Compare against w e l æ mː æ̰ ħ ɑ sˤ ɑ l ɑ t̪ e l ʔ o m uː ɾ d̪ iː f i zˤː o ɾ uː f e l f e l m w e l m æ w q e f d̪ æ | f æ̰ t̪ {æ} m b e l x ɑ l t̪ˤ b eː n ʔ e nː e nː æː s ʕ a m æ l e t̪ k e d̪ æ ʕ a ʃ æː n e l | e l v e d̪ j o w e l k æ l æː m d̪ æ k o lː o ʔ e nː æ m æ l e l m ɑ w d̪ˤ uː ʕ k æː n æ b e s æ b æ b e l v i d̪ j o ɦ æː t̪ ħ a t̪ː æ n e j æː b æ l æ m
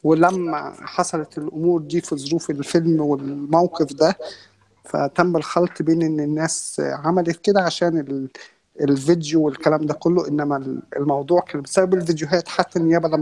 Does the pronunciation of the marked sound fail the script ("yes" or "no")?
no